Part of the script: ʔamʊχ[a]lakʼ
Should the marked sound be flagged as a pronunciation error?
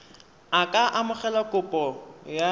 yes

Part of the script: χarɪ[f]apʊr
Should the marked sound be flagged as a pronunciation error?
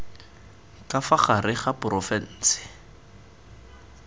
yes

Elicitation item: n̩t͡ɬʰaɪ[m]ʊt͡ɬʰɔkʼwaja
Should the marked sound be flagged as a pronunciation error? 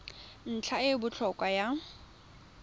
yes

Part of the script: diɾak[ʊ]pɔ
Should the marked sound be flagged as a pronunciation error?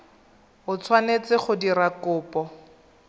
yes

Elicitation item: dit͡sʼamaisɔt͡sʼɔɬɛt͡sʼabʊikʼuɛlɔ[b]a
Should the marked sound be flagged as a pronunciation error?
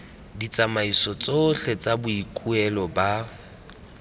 no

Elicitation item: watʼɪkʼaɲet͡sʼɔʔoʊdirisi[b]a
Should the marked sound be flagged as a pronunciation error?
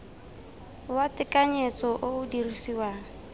yes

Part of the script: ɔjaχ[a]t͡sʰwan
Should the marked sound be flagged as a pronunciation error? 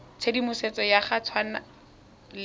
no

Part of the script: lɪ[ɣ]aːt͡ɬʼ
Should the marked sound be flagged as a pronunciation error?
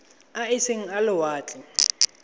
yes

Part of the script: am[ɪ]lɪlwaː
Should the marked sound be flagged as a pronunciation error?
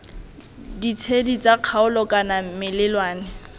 no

